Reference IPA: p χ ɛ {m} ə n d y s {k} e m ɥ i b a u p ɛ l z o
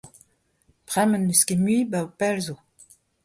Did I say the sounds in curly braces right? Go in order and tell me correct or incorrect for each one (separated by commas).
correct, correct